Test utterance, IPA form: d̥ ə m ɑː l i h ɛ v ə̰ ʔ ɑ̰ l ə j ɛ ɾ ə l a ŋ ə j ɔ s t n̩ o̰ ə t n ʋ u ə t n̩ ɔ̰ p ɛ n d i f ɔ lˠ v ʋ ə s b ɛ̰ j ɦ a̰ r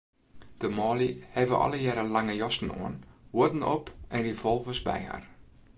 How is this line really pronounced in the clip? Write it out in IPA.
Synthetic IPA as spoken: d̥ ə m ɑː l i h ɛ v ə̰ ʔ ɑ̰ l ə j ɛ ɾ ə l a ŋ ə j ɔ s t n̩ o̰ ə n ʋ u ə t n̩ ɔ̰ p ɛ n d i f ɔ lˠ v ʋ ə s b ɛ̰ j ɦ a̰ r